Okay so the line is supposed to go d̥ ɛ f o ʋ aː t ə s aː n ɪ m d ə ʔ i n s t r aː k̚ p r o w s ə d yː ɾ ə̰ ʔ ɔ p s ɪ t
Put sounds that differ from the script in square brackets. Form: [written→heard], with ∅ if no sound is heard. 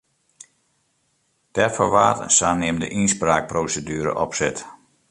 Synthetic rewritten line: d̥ ɛ f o ʋ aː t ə s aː n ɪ m d ə ʔ i n s [t→p] r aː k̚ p r o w s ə d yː ɾ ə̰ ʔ ɔ p s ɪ t